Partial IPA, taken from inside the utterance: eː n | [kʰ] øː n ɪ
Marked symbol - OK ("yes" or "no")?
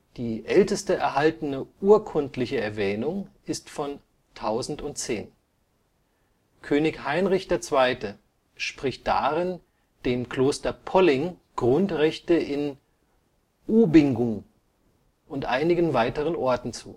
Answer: yes